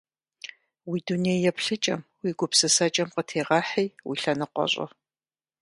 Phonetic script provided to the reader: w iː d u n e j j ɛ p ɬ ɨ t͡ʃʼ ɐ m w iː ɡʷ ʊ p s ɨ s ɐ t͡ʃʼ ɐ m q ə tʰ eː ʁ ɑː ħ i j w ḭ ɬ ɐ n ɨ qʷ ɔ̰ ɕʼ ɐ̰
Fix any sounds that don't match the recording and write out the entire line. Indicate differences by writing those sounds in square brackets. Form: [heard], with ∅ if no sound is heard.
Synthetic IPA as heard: w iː d u n e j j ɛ p ɬ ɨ t͡ʃʼ ɐ m w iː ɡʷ ʊ p s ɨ s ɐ t͡ʃʼ ɐ m q ə tʰ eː ʁ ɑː ħ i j w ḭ ɬ ɐ n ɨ qʷ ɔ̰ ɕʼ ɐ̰